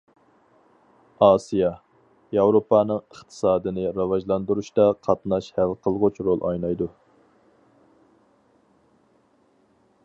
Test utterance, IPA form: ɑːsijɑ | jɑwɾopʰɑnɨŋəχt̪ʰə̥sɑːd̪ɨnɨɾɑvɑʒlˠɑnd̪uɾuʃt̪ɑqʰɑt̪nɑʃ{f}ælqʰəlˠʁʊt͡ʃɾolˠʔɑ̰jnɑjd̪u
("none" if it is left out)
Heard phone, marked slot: h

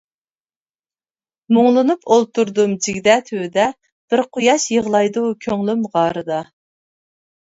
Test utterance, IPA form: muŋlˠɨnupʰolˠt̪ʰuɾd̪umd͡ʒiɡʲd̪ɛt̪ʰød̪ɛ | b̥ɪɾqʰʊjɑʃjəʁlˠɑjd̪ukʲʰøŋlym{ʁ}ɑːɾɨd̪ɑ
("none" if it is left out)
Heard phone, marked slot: ʁ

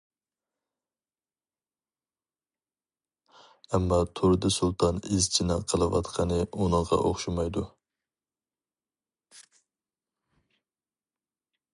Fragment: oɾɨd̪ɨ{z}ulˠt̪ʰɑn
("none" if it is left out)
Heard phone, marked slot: s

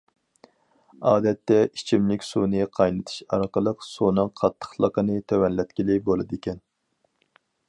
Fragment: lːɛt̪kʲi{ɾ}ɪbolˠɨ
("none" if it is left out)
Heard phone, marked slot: l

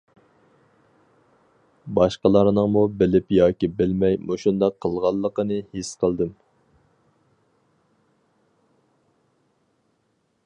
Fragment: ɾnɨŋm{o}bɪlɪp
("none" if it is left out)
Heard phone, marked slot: u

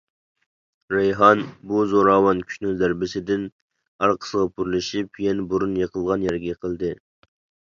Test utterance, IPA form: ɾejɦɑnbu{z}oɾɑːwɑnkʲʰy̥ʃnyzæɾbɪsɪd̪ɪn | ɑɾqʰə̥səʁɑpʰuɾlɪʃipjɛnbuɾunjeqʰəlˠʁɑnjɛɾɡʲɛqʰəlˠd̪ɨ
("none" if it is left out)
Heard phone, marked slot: z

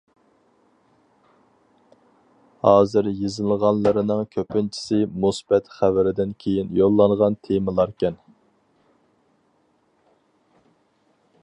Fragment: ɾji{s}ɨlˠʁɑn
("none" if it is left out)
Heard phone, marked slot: z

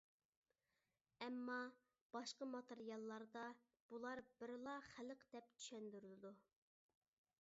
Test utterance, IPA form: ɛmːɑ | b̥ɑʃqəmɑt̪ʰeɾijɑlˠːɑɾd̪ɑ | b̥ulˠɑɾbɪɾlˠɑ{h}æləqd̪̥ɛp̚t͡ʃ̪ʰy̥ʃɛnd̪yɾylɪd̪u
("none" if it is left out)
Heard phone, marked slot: χ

